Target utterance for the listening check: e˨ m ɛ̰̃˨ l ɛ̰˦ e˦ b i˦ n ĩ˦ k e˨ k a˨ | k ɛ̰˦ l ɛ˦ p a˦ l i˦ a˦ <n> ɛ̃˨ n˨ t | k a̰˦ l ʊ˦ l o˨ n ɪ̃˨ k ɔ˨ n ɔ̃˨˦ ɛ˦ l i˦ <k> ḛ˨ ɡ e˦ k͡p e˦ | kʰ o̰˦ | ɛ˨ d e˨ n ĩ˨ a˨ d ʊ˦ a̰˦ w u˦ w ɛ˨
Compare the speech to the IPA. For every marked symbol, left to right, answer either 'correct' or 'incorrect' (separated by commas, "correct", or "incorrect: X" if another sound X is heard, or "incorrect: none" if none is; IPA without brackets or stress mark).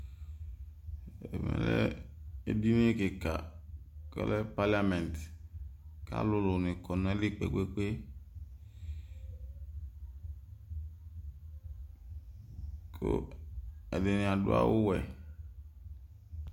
incorrect: m, incorrect: k͡p